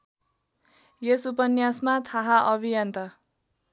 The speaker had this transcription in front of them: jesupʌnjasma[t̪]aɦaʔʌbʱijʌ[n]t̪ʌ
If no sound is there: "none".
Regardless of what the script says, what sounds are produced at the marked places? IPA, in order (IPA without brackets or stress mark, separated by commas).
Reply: t̪ʰ, n